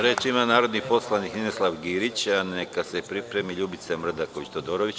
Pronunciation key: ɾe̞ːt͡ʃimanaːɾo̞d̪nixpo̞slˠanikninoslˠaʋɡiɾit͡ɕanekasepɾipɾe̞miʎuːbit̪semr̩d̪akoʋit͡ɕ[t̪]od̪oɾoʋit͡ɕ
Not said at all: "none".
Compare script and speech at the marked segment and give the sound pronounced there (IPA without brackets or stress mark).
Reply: t̪